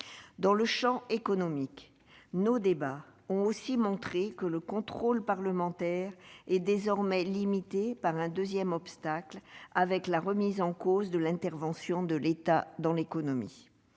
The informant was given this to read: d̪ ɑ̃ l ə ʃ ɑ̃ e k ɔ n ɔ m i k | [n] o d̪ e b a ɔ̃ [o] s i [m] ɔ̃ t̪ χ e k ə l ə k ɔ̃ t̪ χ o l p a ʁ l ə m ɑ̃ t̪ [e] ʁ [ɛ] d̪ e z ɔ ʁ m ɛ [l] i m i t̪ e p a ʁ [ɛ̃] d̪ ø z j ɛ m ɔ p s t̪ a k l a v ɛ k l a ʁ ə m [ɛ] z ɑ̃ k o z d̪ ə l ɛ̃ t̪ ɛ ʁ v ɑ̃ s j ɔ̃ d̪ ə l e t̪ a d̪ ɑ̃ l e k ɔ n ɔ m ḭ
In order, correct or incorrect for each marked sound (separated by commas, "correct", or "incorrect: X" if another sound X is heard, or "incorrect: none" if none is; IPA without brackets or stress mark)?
correct, correct, correct, incorrect: ɛ, correct, correct, correct, incorrect: i